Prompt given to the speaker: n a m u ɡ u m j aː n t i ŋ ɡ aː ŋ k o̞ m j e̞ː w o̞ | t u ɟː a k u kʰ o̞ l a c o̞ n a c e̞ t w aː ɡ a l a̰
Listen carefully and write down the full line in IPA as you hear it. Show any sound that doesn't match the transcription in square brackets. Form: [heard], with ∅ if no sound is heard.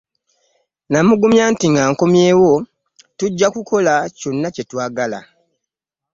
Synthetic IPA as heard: n a m u ɡ u m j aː n t i ŋ ɡ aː ŋ k o̞ m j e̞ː w o̞ | t u ɟː a k u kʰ o̞ l a c o̞ [nː] a c e̞ t w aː ɡ a l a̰